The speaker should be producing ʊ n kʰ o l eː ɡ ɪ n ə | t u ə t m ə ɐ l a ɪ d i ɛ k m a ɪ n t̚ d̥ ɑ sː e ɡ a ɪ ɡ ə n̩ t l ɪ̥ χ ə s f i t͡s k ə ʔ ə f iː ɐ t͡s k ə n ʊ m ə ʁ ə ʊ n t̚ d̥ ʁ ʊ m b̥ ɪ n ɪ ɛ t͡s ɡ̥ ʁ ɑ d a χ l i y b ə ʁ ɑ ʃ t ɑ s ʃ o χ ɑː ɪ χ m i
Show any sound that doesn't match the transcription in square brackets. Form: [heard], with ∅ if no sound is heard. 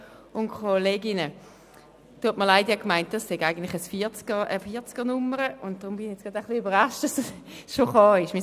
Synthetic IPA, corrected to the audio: ʊ n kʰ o l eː ɡ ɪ n ə | t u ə t m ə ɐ l a ɪ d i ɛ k m a ɪ n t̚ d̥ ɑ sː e ɡ a ɪ ɡ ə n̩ t l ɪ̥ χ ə s f i t͡s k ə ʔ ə f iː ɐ t͡s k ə n ʊ m ə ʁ ə ʊ n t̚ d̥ ʁ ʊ m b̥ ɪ n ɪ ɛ t͡s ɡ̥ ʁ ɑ d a χ l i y b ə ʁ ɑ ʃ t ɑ s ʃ o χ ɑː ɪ [ʃ] m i